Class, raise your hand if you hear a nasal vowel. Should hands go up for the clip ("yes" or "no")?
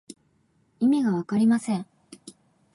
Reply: yes